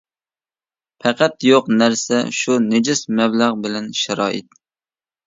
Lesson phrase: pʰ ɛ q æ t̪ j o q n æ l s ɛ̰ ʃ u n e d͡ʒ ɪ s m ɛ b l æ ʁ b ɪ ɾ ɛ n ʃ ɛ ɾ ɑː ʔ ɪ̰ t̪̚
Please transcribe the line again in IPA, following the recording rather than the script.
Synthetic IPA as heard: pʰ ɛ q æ t̪ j o q n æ ɾ s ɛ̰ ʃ u n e d͡ʒ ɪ s m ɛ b l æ ʁ b ɪ l ɛ n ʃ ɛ ɾ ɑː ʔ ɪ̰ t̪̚